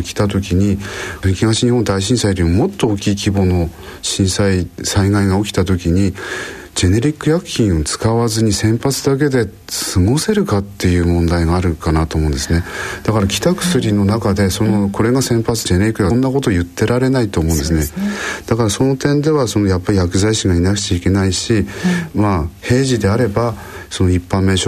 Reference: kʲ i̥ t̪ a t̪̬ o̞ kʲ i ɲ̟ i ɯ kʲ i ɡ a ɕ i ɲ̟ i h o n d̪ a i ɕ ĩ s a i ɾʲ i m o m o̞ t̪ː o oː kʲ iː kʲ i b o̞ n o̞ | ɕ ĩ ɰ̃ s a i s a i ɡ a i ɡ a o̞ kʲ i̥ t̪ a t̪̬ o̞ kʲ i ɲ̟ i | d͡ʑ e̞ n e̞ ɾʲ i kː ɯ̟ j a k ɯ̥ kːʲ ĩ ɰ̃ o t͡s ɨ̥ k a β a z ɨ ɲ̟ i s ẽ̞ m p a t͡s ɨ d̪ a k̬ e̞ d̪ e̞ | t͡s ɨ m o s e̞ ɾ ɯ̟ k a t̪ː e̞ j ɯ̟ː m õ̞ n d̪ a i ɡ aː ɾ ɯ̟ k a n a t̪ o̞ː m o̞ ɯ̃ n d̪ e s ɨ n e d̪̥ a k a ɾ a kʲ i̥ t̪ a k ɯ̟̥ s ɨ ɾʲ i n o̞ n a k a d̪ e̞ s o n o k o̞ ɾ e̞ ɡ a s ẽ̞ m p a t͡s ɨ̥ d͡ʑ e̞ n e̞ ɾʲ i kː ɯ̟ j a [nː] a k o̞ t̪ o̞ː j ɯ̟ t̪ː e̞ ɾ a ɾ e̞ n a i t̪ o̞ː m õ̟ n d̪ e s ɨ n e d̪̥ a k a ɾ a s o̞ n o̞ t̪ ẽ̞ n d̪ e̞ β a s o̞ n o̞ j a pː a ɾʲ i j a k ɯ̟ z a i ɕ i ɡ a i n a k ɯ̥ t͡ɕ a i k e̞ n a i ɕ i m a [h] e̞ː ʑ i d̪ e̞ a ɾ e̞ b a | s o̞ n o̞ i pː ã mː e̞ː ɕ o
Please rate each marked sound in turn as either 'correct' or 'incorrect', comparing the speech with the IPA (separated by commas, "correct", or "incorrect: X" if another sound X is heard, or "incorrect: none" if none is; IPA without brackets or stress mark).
correct, correct